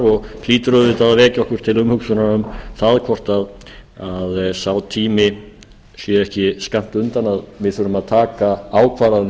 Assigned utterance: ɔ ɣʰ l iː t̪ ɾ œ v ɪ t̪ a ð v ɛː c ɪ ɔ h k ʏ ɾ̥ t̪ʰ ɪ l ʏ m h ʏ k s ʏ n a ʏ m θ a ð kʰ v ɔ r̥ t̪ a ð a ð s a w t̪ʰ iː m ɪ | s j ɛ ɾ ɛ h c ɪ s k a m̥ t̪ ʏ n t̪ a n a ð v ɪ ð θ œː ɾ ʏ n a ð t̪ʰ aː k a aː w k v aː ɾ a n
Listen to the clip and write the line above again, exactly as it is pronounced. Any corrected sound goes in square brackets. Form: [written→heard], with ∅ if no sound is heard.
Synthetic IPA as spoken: ɔ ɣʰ l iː t̪ ɾ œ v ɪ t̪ a ð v ɛː c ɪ ɔ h k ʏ ɾ̥ t̪ʰ ɪ l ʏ m h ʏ k s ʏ n a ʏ m θ a ð kʰ v ɔ r̥ t̪ a ð a ð s a w t̪ʰ iː m ɪ | s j ɛ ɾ ɛ h c ɪ s k a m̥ t̪ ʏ n t̪ a n a ð v ɪ ð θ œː ɾ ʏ [n→m] a ð t̪ʰ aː k a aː w [k→kʰ] v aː ɾ a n

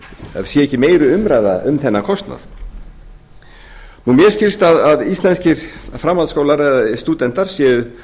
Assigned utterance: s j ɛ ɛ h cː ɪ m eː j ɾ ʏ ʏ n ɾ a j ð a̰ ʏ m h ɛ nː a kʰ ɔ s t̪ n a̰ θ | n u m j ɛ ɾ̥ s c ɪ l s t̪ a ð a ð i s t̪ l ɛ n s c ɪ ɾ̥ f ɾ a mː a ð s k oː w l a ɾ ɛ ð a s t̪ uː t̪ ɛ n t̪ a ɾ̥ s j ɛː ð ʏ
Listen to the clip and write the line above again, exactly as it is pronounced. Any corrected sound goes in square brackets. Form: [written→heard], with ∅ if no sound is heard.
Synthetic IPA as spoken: s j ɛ ɛ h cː ɪ m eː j ɾ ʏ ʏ [n→m] ɾ a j ð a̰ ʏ m [h→θ] ɛ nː a kʰ ɔ s t̪ n a̰ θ | n u m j ɛ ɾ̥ s c ɪ l s t̪ a ð a ð i s t̪ l ɛ n s c ɪ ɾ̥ f ɾ a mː a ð s k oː w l a ɾ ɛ ð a s t̪ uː t̪ ɛ n t̪ a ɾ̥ s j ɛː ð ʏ

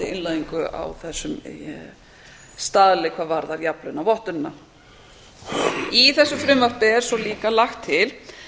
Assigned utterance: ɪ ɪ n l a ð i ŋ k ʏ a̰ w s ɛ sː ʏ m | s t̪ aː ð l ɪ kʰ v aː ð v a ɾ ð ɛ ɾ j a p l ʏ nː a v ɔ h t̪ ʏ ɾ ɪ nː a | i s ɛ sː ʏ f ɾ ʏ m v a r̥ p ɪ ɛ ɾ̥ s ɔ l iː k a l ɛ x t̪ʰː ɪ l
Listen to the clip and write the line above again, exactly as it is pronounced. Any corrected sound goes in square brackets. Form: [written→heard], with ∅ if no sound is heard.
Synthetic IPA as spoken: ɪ ɪ n l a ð i ŋ k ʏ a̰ w [s→θ] ɛ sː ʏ m | s t̪ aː ð l ɪ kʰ v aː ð v a ɾ ð [ɛ→a] ɾ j a p l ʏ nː a v ɔ h t̪ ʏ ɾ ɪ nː a | i [s→θ] ɛ sː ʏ f ɾ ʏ m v a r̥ p ɪ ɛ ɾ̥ s ɔ l iː k a l [ɛ→a] x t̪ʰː ɪ l

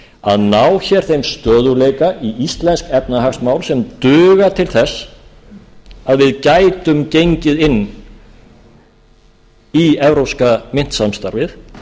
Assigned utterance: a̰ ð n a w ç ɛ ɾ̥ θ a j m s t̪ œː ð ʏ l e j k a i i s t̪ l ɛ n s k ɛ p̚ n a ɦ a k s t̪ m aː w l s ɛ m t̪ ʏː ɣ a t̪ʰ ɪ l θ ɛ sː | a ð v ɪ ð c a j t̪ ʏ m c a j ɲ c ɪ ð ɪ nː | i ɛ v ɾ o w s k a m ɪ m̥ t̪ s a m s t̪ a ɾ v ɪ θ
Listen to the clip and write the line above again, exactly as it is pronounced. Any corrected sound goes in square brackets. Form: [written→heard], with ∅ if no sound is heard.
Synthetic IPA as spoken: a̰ ð n a w ç ɛ ɾ̥ θ [a→e] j m s t̪ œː ð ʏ l e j k a i i s t̪ l ɛ n s k ɛ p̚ n a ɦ a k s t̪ m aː w l s ɛ m t̪ ʏː ɣ a t̪ʰ ɪ l θ ɛ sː | a ð v ɪ ð c a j t̪ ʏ m c [a→e] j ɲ c ɪ ð ɪ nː | i ɛ v ɾ o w s k a m ɪ [m̥→n̥] t̪ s a m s t̪ a ɾ v ɪ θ

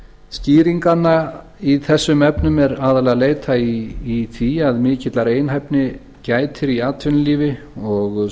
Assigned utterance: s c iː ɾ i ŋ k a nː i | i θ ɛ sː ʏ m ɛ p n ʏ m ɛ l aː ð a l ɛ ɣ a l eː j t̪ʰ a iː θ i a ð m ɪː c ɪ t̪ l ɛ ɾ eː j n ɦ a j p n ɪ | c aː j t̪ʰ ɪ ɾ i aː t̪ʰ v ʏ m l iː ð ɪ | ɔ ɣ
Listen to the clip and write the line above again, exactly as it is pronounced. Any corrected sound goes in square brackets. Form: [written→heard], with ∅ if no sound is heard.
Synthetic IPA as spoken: s c iː ɾ i ŋ k a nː [i→a] | i θ ɛ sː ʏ m ɛ p n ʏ m ɛ [l→ɾ] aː ð a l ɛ ɣ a l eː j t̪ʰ a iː θ i a ð m ɪː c ɪ t̪ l [ɛ→a] ɾ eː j n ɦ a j p n ɪ | c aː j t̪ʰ ɪ ɾ i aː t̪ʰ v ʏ [m→n] l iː [ð→v] ɪ | ɔ ɣ

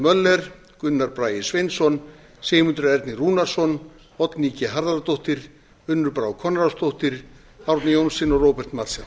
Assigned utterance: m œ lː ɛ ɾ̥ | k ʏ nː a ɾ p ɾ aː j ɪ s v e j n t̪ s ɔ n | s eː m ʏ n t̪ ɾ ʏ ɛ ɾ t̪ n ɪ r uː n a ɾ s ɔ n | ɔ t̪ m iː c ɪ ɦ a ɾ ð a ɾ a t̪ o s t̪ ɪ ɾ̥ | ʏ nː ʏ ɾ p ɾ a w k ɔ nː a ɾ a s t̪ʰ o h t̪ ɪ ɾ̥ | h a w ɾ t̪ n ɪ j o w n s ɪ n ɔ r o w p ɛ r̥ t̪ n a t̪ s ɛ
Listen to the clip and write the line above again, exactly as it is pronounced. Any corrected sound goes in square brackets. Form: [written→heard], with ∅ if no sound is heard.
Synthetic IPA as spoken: m œ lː ɛ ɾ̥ | k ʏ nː a ɾ p ɾ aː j ɪ s v e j n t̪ s ɔ n | s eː m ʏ n t̪ ɾ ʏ ɛ ɾ t̪ n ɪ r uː n a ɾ s ɔ n | ɔ t̪ [m→n] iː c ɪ ɦ a ɾ ð a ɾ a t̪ o [s→h] t̪ ɪ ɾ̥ | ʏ nː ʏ ɾ p ɾ a w [k→kʰ] ɔ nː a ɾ a s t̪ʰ o h t̪ ɪ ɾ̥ | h a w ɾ t̪ n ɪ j o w n s ɪ n ɔ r o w p ɛ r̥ t̪ [n→m] a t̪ s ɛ

